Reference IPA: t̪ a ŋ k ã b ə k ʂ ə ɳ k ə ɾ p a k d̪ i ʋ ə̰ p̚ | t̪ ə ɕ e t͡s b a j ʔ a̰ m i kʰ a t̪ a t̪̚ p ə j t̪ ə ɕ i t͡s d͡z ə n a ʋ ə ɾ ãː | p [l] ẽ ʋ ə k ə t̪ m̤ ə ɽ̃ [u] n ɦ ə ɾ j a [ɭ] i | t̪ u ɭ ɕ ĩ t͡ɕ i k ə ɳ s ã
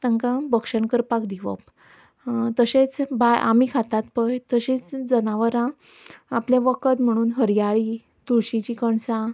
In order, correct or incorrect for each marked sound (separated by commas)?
correct, incorrect, correct